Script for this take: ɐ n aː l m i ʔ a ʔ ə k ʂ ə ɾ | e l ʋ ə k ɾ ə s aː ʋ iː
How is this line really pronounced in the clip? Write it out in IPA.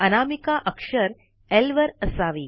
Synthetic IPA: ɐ n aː m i k a ʔ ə k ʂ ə ɾ | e l ʋ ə ɾ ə s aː ʋ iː